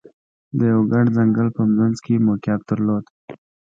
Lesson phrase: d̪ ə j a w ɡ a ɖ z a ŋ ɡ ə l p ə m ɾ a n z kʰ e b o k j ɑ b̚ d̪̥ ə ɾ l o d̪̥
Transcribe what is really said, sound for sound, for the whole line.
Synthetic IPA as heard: d̪ ə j a w ɡ a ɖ z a ŋ ɡ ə l p ə m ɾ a n z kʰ e m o k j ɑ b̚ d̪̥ ə ɾ l o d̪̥